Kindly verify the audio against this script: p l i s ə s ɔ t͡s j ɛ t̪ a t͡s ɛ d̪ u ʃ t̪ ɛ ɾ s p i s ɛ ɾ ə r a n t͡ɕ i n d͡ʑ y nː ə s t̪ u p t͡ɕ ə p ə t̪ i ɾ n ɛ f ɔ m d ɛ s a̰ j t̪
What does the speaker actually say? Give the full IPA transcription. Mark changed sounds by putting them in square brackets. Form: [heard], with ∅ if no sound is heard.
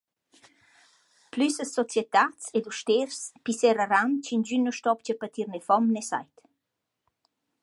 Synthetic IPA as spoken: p l [y] s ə s ɔ t͡s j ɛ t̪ a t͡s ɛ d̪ u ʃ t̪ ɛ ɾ s p i s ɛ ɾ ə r a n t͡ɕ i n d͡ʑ y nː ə [ʃ] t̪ [ɔ] p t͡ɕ ə p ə t̪ i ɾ n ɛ f ɔ m [n] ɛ s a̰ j t̪